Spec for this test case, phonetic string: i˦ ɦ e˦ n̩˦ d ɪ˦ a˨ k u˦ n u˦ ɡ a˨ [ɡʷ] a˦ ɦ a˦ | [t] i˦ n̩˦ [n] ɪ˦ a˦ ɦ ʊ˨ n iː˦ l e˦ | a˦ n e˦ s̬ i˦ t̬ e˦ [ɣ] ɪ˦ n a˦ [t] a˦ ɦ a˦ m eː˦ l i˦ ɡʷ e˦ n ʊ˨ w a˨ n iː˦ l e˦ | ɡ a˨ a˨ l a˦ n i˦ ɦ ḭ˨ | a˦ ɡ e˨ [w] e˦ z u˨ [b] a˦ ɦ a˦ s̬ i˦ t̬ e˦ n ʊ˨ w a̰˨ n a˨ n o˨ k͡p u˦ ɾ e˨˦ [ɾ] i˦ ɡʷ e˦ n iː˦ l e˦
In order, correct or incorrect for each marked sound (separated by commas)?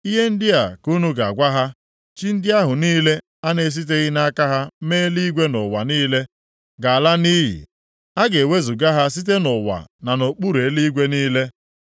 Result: correct, incorrect, incorrect, correct, incorrect, correct, incorrect, incorrect